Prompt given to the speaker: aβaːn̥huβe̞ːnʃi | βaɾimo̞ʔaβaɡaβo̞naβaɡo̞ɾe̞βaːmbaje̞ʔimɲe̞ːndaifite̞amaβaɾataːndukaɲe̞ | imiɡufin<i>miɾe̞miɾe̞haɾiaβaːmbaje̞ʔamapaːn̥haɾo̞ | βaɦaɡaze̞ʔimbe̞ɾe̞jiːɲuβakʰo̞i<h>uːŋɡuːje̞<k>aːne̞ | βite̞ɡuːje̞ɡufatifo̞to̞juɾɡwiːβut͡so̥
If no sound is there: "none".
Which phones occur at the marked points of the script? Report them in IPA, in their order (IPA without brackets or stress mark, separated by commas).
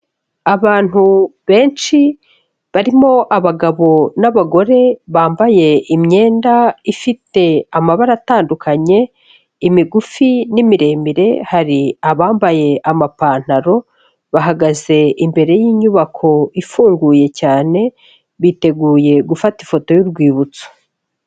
i, f, c